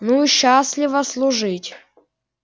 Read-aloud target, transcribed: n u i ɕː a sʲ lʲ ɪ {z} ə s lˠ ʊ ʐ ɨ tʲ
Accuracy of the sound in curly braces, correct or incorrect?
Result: incorrect